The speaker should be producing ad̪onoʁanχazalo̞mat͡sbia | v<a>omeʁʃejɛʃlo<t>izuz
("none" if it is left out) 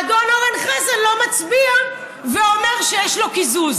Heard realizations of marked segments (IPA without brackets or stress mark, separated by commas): e, k